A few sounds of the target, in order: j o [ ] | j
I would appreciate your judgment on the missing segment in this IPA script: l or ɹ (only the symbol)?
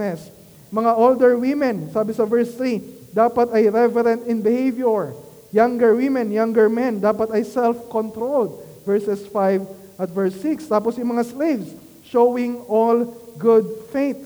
ɹ